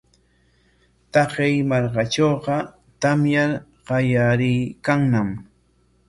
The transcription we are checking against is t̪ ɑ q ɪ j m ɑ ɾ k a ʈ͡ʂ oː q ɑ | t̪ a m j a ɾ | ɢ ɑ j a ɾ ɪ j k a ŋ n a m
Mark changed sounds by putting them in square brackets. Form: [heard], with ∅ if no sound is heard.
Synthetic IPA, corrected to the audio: t̪ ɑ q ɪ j m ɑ ɾ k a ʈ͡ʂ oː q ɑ | t̪ a m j a ɾ | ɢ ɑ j a ɾ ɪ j k a ŋ n a m